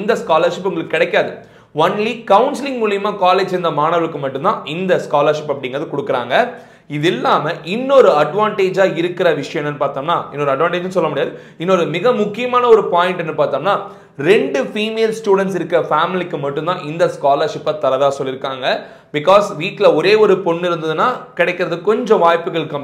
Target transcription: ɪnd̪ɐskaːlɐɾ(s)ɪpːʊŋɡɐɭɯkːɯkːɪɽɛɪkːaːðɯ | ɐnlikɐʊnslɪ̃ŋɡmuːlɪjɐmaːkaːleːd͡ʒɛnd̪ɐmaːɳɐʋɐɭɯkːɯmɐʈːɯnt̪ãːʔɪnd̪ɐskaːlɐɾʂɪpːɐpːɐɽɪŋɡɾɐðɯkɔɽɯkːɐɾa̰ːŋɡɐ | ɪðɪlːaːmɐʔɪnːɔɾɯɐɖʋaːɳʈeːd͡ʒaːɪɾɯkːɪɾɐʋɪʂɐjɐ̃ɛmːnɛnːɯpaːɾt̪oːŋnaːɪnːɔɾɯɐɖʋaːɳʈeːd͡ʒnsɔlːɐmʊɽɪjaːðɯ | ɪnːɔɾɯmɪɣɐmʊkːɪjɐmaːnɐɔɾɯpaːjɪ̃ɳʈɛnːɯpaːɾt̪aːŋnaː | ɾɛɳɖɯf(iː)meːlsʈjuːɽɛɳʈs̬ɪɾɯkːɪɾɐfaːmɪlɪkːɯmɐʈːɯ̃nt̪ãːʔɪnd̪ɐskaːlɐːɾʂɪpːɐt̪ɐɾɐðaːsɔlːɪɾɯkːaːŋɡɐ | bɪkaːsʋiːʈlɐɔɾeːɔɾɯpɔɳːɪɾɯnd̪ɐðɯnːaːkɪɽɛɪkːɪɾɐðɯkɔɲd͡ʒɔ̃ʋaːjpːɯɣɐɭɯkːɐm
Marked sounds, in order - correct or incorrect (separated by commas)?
incorrect, correct